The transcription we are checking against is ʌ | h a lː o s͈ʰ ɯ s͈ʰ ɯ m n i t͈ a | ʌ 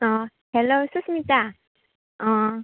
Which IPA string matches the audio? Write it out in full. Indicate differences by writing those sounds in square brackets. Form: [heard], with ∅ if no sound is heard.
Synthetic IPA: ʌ | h [e] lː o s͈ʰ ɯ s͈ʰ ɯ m [ɲ] i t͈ a | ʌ